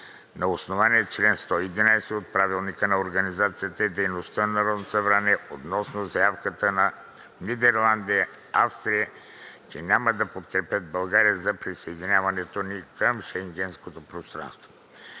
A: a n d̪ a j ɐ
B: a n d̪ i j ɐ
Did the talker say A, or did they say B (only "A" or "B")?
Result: B